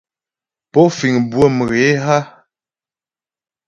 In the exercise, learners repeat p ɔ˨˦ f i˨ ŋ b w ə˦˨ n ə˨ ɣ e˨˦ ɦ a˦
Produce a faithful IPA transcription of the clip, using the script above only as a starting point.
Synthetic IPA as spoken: p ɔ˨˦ f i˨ ŋ b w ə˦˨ m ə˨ ɣ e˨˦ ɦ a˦